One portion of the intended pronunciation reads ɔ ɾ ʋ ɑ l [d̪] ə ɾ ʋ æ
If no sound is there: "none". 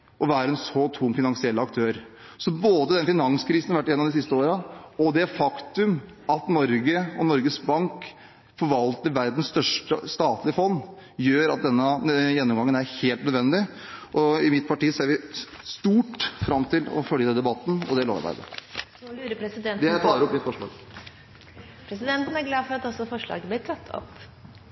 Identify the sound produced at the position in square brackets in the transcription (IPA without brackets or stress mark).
t̪